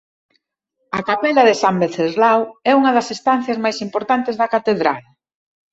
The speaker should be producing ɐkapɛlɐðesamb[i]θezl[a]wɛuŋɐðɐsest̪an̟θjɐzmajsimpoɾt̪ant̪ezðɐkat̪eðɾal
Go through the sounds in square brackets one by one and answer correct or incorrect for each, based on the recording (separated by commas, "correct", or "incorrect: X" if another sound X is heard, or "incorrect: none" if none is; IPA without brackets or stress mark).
incorrect: e, correct